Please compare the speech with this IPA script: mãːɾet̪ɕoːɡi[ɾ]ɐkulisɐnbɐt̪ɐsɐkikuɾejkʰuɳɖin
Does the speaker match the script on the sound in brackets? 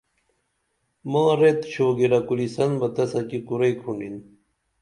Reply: yes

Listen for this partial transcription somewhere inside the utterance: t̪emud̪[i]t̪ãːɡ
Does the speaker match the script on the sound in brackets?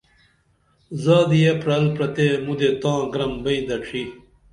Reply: no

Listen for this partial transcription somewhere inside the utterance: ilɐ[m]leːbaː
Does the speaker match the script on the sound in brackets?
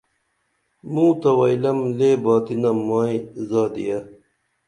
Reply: yes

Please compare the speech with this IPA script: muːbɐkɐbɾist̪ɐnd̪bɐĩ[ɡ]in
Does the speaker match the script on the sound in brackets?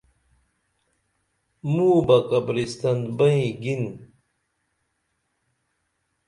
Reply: yes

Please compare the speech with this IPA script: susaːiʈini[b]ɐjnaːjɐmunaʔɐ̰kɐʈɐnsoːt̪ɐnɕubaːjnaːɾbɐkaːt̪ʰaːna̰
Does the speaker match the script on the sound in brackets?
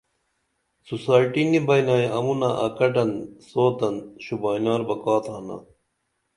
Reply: yes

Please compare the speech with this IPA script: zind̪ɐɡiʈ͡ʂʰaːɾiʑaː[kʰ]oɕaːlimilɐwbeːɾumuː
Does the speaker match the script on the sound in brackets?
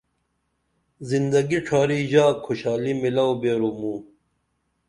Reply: yes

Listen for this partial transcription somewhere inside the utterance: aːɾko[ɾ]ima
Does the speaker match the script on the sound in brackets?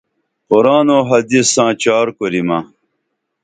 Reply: yes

